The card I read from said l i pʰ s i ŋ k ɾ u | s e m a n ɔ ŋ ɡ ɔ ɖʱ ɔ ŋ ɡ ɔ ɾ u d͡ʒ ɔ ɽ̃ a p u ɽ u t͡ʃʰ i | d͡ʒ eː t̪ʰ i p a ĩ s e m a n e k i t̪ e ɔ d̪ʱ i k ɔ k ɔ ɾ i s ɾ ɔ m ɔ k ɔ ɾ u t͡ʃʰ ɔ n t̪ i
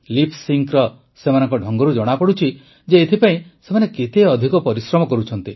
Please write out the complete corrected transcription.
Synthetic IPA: l i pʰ s i ŋ k ɾ ɔ | s e m a n ɔ ŋ k ɔ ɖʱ ɔ ŋ ɡ ɔ ɾ u d͡ʒ ɔ ɽ̃ a p ɔ ɽ u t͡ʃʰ i | d͡ʒ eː t̪ʰ i p a ĩ s e m a n e k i t̪ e ɔ d̪ʱ i k ɔ p ɔ ɾ i s ɾ ɔ m ɔ k ɔ ɾ u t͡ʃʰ ɔ n t̪ i